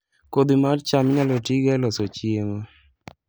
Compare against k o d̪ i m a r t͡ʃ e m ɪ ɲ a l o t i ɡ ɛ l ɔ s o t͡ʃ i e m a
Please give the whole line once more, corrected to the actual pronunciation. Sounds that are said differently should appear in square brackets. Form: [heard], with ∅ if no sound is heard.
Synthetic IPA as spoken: k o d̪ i m a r t͡ʃ [a] m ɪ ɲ a l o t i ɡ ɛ l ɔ s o t͡ʃ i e m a